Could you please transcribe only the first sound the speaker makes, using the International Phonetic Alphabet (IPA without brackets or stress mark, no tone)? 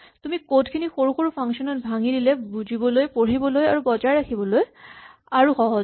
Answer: t